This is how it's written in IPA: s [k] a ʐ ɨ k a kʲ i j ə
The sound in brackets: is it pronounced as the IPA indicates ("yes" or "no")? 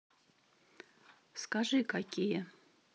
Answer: yes